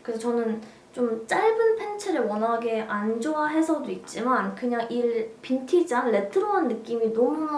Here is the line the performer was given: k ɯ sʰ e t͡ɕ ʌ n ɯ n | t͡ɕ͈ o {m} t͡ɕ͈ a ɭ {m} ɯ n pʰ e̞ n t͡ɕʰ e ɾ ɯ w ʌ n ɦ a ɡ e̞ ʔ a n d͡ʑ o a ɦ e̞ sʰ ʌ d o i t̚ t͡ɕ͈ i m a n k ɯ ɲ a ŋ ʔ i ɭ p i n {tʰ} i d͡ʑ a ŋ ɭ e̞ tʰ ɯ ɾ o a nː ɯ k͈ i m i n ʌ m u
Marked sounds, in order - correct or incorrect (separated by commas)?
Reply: correct, incorrect, correct